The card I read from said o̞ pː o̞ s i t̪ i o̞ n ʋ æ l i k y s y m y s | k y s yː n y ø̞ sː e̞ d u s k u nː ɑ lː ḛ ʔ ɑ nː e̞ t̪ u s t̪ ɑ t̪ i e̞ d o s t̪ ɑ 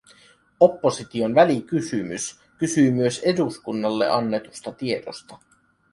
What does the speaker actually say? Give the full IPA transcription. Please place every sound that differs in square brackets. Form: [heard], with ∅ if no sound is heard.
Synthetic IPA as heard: o̞ pː o̞ s i t̪ i o̞ n ʋ æ l i k y s y m y s | k y s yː [m] y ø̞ [s] e̞ d u s k u nː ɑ lː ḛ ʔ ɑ nː e̞ t̪ u s t̪ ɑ t̪ i e̞ d o s t̪ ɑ